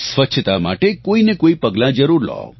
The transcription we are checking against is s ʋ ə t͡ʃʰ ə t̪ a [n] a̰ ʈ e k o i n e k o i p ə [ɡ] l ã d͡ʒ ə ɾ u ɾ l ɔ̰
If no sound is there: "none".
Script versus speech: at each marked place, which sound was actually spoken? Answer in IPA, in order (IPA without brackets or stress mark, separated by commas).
m, ɡ